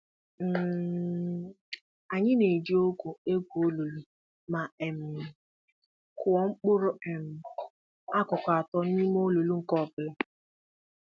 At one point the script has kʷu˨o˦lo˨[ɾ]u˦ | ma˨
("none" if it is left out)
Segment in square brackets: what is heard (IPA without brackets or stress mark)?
l